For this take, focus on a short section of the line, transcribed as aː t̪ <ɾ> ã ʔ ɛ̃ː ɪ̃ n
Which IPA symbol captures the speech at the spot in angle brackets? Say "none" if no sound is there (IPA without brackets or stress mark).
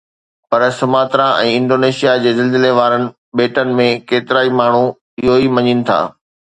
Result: ɾ